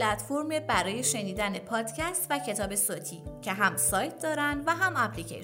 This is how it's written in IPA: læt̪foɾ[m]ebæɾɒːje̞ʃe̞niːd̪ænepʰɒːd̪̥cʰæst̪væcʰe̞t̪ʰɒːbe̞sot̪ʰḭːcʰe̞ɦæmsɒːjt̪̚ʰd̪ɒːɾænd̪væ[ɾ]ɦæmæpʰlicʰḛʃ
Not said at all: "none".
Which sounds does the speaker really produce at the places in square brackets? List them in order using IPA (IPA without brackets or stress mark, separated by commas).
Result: m, none